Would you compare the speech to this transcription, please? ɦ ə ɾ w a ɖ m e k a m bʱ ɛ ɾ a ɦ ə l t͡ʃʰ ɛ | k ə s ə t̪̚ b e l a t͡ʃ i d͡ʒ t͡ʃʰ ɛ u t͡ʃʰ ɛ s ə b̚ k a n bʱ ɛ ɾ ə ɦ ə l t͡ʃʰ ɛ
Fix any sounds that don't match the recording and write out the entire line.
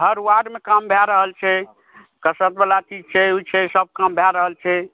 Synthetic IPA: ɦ ə ɾ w a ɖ m e k a m bʱ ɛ ɾ ə ɦ ə l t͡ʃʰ ɛ | k ə s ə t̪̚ b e l a t͡ʃ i d͡ʒ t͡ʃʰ ɛ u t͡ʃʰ ɛ s ə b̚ k a m bʱ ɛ ɾ ə ɦ ə l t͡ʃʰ ɛ

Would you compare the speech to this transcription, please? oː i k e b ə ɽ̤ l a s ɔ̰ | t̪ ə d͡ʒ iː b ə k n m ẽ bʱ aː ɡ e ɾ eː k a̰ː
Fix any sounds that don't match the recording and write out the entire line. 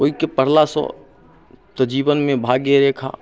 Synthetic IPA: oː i k e p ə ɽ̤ l a s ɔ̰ | t̪ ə d͡ʒ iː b ə n m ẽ bʱ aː ɡ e ɾ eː kʰ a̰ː

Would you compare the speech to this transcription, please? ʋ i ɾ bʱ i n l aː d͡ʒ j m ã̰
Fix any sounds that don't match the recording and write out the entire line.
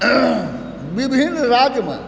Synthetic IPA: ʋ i bʱ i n ɾ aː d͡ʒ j m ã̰

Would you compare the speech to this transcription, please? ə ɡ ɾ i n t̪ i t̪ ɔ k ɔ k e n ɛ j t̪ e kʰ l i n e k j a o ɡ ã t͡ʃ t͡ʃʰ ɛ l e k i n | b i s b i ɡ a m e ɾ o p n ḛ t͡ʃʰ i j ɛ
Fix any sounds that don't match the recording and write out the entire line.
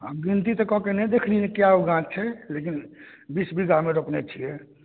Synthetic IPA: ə ɡ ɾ i n t̪ i t̪ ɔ k ɔ k e n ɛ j d̪ e kʰ l i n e k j a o ɡ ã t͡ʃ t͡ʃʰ ɛ l e k i n | b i s b i ɡ a m e ɾ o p n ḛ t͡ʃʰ i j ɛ

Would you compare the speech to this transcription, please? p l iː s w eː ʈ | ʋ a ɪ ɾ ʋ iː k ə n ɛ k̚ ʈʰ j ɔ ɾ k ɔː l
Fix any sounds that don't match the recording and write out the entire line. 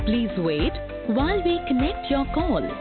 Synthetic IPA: p l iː z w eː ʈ | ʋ a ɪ l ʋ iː k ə n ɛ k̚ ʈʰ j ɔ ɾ k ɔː l

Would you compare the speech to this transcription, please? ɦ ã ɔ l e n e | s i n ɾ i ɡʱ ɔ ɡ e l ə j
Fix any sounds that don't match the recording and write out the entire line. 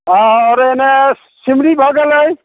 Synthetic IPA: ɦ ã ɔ ɾ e n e | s i m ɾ i bʱ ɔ ɡ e l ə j

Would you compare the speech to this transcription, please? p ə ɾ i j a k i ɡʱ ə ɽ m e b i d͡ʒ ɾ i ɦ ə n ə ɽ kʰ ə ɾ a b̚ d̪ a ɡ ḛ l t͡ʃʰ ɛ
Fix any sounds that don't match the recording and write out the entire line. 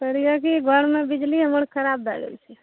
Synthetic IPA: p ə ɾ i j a k i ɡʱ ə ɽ m e b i d͡ʒ l i ɦ ə m ə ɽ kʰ ə ɾ a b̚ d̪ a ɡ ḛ l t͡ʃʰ ɛ

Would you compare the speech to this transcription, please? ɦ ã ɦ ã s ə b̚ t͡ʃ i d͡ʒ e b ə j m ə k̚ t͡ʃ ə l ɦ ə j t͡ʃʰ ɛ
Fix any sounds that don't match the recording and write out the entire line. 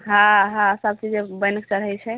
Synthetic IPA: ɦ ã ɦ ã s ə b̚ t͡ʃ i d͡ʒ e b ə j n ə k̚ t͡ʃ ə ɾ ɦ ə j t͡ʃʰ ɛ

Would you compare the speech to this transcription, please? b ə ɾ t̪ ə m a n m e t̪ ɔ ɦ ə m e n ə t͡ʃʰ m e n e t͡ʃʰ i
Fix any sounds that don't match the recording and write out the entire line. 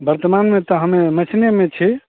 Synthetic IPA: b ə ɾ t̪ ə m a n m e t̪ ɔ ɦ ə m e m ə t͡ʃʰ n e m e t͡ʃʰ i

